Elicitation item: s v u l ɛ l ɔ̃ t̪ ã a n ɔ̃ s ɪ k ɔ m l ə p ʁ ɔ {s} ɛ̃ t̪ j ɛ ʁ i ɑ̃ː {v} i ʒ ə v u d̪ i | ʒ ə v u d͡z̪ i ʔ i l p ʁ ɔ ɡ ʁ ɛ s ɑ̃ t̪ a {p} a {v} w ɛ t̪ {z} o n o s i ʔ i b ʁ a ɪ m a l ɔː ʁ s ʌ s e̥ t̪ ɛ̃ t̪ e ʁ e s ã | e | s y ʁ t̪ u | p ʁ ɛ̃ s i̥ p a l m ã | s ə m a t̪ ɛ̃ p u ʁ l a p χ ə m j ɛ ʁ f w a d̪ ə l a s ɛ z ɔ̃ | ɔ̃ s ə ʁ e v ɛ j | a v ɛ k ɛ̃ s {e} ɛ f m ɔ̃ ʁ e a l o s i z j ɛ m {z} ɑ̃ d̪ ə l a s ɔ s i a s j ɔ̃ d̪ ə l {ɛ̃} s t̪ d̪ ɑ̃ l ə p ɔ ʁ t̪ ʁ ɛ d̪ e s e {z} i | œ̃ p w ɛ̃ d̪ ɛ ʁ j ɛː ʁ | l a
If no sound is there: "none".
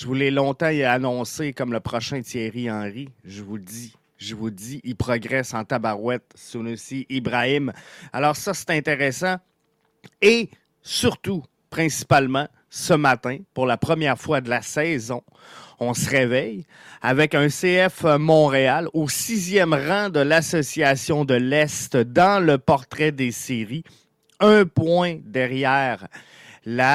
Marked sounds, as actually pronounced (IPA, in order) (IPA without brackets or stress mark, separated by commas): ʃ, ʁ, b, ʁ, s, e, ʁ, ɛ, ʁ